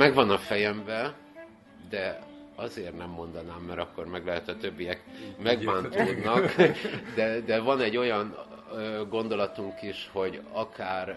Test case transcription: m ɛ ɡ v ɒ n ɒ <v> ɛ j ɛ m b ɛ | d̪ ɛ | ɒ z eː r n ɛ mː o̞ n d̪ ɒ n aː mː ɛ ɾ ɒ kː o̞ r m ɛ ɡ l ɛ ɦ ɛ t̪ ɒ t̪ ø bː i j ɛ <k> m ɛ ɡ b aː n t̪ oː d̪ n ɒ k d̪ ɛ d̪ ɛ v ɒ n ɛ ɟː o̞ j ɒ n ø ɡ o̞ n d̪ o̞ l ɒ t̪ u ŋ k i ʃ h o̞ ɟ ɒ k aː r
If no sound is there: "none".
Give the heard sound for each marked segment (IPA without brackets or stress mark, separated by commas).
f, k